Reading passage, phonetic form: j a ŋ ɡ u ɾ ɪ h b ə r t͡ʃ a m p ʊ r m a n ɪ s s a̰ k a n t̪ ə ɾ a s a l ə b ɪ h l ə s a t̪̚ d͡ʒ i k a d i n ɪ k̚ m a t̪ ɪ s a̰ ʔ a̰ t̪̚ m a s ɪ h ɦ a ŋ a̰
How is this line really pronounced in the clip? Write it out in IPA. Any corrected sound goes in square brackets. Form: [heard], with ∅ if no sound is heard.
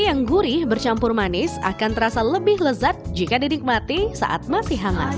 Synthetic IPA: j a ŋ ɡ u ɾ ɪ h b ə r t͡ʃ a m p ʊ r m a n ɪ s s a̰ k a n t̪ ə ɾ a s a l ə b ɪ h l ə [z] a t̪̚ d͡ʒ i k a d i n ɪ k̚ m a t̪ [i] s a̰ ʔ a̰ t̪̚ m a s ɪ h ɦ a ŋ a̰

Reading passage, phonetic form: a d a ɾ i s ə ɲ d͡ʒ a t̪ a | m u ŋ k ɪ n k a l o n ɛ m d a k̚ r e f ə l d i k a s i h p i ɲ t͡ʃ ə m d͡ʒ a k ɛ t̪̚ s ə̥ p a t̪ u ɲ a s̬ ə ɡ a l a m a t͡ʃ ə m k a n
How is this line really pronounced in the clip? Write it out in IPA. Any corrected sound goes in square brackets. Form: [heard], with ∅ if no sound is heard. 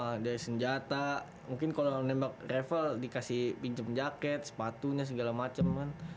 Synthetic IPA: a d a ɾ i s ə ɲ d͡ʒ a t̪ a | m u ŋ k ɪ n k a l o n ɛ m [b] a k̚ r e f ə l d i k a s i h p i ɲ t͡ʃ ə m d͡ʒ a k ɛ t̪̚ s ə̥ p a t̪ u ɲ a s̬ ə ɡ a l a m a t͡ʃ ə m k a n

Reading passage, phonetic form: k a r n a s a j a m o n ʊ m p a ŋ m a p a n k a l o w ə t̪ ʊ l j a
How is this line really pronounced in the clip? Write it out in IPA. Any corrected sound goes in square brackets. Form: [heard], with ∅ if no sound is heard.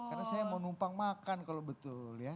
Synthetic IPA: k a r n a s a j a m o n [u] m p a ŋ m a [k] a n k a l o [b] ə t̪ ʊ l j a

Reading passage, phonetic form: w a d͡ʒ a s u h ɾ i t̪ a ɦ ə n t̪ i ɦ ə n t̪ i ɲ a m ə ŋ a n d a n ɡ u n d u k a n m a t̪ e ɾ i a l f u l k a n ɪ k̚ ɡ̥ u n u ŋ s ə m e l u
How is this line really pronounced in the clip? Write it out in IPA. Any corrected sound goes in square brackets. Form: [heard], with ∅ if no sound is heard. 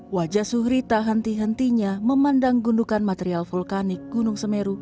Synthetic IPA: w a d͡ʒ a s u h ɾ i t̪ a ɦ ə n t̪ i ɦ ə n t̪ i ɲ a m ə [m] a n d a [ŋ] ɡ u n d u k a n m a t̪ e ɾ i a l f u l k a n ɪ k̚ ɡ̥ u n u ŋ s ə m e [ɾ] u

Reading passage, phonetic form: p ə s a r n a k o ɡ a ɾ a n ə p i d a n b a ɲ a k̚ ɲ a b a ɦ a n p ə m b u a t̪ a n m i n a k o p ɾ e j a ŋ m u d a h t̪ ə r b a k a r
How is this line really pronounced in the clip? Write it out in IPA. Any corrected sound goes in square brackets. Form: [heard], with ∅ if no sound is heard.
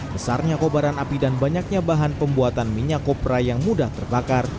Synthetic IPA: [b] ə s a r [ɲ] a k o [b] a ɾ a n [a] p i d a n b a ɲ a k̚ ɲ a b a ɦ a n p ə m b u a t̪ a n m i [ɲ] a k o p ɾ [a] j a ŋ m u d a h t̪ ə r b a k a r

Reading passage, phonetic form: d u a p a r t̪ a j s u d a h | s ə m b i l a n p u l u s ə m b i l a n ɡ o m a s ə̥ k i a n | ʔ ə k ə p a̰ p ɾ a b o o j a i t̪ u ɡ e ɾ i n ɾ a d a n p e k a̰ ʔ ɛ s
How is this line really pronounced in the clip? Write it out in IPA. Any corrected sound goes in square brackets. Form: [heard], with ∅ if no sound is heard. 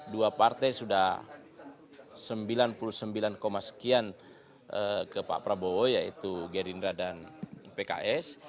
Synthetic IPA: d u a p a r t̪ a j s u d a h | s ə m b i l a n p u l u s ə m b i l a n [k] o m a s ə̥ k i a n | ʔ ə k ə p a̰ p ɾ a b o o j a i t̪ u ɡ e ɾ i n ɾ a d a n p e k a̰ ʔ ɛ s

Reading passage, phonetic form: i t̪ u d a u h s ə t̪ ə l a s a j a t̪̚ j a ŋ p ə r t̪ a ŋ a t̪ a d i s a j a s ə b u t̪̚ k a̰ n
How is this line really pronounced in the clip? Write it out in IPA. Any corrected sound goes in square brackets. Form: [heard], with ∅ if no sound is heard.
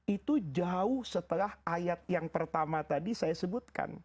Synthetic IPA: i t̪ u [d͡ʒ] a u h s ə t̪ ə l a [h] a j a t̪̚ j a ŋ p ə r t̪ a [m] a t̪ a d i s a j a s ə b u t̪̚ k a̰ n

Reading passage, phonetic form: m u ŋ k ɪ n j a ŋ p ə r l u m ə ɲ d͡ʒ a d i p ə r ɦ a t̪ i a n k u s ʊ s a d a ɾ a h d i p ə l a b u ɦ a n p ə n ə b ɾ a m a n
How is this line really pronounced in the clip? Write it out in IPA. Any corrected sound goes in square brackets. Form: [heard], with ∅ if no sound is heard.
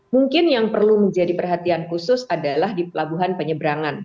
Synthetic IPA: m u ŋ k ɪ n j a ŋ p ə r l u m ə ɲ d͡ʒ a d i p ə r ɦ a t̪ i a n k u s ʊ s a d a [l] a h d i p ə l a b u ɦ a n p ə [ɲ] ə b ɾ a [ŋ] a n

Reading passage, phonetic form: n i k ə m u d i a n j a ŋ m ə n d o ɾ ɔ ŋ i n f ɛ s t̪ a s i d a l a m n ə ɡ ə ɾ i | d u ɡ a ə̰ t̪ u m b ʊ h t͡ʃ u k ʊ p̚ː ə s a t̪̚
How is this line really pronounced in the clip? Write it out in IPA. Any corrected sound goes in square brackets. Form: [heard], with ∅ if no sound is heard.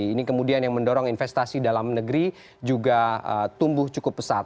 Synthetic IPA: n i k ə m u d i a n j a ŋ m ə n d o ɾ ɔ ŋ i n f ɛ s t̪ a s i d a l a m n ə ɡ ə ɾ i | [d͡ʒ] u ɡ a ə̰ t̪ u m b ʊ h t͡ʃ u k ʊ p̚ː ə s a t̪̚

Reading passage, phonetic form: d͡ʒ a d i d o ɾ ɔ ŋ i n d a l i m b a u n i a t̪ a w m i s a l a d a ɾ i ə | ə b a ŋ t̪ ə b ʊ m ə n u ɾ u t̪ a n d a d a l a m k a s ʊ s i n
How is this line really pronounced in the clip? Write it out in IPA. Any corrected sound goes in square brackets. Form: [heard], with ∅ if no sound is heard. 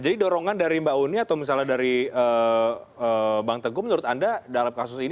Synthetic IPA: d͡ʒ a d i d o ɾ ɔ ŋ [a] n d a [ɾ] i m b a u n i a t̪ a w m i s a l a d a ɾ i ə | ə b a ŋ t̪ ə [ɡ] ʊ m ə n u ɾ [ʊ] t̪ a n d a d a l a m k a s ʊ s i n

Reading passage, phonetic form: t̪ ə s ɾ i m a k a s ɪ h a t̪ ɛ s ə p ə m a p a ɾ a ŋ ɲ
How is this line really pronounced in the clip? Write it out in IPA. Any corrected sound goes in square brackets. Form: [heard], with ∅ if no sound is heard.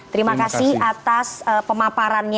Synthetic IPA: t̪ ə [∅] ɾ i m a k a s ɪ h a t̪ [a] s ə p ə m a p a ɾ a [n] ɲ

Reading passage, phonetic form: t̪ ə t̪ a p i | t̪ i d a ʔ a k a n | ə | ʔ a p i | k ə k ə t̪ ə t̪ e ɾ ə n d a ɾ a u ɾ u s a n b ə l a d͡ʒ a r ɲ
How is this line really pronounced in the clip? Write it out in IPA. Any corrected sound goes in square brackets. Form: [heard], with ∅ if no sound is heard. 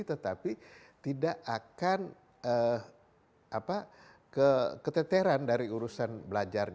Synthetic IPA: t̪ ə t̪ a p i | t̪ i d a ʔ a k a n | ə | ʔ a p [a] | k ə k ə t̪ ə t̪ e ɾ [a] n d a ɾ [i] u ɾ u s a n b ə l a d͡ʒ a r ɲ

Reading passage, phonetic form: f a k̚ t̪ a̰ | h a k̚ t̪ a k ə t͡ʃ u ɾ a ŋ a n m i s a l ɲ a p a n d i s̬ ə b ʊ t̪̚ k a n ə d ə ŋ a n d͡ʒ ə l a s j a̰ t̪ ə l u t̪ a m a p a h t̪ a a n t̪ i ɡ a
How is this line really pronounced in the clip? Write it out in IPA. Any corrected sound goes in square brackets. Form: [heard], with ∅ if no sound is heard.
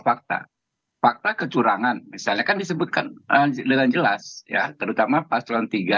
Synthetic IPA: f a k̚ t̪ a̰ | [f] a k̚ t̪ a k ə t͡ʃ u ɾ a ŋ a n m i s a l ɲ a [k] a n d i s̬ ə b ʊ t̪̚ k a n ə d ə ŋ a n d͡ʒ ə l a s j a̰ t̪ ə [ɾ] u t̪ a m a p a [s] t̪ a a n t̪ i ɡ a

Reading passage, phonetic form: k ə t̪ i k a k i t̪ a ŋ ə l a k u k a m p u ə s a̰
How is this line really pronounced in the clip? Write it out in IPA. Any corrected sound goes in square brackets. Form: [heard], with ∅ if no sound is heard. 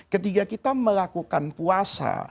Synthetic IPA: k ə t̪ i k a k i t̪ a [m] ə l a k u k a [n] p u [a] s a̰

